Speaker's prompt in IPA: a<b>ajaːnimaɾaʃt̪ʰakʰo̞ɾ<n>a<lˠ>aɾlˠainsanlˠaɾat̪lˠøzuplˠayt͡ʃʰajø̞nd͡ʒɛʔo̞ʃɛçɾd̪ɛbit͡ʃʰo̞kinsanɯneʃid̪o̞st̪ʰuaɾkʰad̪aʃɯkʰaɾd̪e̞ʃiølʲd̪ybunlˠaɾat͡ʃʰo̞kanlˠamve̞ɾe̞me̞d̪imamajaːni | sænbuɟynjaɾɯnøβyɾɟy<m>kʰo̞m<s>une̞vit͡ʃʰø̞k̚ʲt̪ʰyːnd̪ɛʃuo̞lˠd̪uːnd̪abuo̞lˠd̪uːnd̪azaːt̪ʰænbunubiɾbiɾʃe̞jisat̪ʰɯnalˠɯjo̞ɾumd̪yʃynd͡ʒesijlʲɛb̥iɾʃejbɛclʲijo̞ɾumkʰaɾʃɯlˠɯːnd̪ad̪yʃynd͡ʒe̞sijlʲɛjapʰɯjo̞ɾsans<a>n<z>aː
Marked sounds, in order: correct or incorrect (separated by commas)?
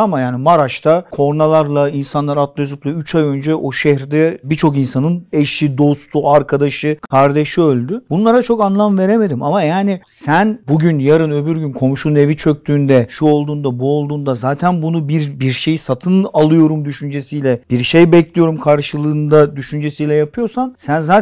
incorrect, correct, correct, incorrect, incorrect, incorrect, correct